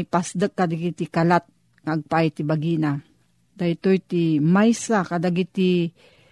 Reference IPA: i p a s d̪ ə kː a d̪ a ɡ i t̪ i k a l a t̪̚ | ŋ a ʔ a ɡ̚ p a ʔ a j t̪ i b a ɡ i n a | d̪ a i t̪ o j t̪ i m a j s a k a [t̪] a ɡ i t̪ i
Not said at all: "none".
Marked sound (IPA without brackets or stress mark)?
d̪